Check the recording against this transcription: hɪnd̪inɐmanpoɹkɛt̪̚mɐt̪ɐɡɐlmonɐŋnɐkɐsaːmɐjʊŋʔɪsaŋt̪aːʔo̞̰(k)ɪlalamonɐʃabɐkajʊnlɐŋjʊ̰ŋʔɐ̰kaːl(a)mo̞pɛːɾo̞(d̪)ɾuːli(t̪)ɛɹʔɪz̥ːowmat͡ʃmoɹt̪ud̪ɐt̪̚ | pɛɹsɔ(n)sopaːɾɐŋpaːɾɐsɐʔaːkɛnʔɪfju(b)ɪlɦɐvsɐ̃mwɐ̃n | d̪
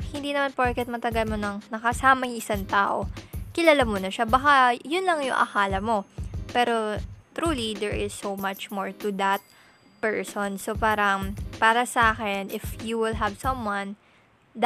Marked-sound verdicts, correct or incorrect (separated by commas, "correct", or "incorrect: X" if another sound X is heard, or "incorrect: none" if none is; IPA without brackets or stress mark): correct, incorrect: ɐ, incorrect: t̪, incorrect: d̪, correct, incorrect: w